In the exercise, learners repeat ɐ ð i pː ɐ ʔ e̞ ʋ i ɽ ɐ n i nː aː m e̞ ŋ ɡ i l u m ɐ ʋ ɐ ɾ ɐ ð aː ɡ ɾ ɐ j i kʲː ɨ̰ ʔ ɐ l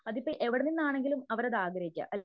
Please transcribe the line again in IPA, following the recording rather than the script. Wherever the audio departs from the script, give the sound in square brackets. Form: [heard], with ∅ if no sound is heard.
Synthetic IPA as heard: ɐ ð i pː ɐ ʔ e̞ ʋ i ɽ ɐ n i nː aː [ɳ] e̞ ŋ ɡ i l u m ɐ ʋ ɐ ɾ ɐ ð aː ɡ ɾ ɐ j i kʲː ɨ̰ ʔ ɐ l

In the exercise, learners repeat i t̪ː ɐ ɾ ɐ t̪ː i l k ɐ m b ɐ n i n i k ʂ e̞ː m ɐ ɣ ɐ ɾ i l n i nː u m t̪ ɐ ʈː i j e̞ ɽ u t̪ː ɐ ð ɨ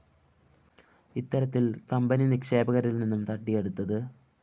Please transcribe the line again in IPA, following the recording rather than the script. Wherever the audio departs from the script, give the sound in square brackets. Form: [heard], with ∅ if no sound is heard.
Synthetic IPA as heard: i t̪ː ɐ ɾ ɐ t̪ː i l k ɐ m b ɐ n i n i k ʂ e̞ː [b] ɐ ɣ ɐ ɾ i l n i nː u m t̪ ɐ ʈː i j e̞ ɽ u t̪ː ɐ ð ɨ

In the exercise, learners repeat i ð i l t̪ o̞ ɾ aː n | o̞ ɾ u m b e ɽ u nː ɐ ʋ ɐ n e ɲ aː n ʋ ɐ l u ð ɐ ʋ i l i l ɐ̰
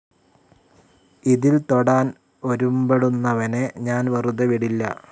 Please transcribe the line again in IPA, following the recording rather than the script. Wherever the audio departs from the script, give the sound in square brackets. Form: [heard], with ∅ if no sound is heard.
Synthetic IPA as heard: i ð i l t̪ o̞ [ɽ] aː n | o̞ ɾ u m b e ɽ u nː ɐ ʋ ɐ n e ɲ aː n ʋ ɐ [r] u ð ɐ ʋ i [ɽ] i [lː] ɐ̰

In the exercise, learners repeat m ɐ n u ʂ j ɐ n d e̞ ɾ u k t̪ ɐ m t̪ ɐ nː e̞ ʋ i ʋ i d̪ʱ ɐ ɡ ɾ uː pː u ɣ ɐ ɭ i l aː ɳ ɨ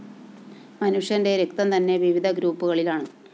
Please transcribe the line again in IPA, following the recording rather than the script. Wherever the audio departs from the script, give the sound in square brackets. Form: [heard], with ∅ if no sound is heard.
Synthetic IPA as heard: m ɐ n u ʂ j ɐ n d e̞ ɾ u k t̪ ɐ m t̪ ɐ nː e̞ ʋ i ʋ i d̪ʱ ɐ ɡ ɾ uː pː u ɣ ɐ ɭ i l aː ɳ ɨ

